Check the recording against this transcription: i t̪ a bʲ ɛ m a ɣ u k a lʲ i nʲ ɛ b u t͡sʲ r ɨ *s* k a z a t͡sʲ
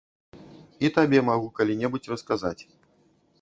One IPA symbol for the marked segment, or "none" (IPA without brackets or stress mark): s